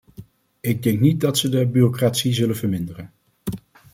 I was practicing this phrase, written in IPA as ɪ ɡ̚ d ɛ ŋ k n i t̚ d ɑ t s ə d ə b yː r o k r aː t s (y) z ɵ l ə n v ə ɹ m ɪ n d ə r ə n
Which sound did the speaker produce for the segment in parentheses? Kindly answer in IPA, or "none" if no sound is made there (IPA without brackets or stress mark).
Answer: i